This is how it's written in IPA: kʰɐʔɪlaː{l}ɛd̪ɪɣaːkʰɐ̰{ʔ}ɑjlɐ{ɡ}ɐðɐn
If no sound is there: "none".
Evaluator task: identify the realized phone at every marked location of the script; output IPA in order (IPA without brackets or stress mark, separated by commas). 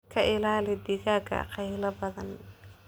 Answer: l, q, b